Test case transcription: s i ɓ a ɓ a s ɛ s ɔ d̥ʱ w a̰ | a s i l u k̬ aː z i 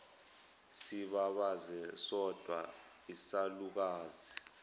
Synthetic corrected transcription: s i ɓ a ɓ a z ɛ s ɔ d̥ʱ w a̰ | i s a l u k̬ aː z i